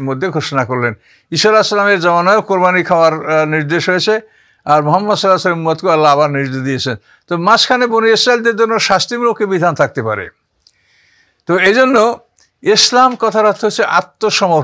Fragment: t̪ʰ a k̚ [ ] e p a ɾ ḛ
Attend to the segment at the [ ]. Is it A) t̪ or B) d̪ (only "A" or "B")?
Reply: A